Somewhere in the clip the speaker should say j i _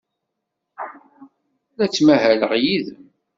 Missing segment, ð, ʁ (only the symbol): ð